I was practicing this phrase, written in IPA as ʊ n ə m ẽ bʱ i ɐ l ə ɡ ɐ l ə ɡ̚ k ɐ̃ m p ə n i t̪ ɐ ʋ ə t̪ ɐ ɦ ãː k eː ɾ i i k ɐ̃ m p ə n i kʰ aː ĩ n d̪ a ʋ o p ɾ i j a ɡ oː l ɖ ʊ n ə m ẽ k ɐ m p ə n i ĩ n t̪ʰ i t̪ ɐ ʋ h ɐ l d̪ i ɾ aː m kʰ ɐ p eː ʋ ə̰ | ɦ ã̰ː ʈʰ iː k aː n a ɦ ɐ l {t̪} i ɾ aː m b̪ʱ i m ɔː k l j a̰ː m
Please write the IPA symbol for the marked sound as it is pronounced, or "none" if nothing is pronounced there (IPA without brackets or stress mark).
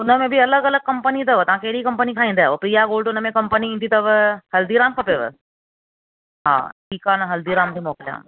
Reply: d̪